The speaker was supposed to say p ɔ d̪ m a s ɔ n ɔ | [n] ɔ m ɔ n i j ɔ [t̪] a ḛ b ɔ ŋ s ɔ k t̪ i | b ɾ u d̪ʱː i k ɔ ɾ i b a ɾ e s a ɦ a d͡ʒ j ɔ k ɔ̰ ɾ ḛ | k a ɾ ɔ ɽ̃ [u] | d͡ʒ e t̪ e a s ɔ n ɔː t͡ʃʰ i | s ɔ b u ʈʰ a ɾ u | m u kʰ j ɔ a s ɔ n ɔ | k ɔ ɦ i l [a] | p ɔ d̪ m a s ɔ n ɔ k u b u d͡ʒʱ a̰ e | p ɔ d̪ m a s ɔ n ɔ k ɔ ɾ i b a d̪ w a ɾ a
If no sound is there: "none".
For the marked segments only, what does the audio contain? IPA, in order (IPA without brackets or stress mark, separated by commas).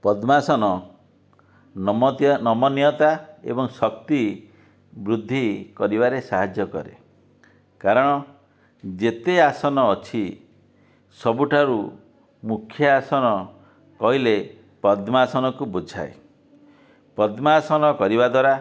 n, t̪, ɔ, e